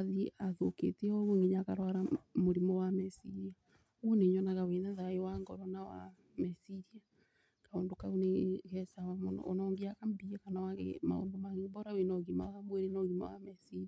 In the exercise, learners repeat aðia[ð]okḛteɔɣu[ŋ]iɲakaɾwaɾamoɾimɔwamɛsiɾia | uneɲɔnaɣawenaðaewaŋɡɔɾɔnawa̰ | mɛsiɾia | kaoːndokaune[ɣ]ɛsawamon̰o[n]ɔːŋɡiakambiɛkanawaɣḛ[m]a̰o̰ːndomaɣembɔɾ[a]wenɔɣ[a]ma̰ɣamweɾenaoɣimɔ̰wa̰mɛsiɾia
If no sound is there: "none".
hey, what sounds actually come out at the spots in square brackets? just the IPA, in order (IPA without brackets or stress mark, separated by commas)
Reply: ð, ŋ, ɣ, n, m, a, i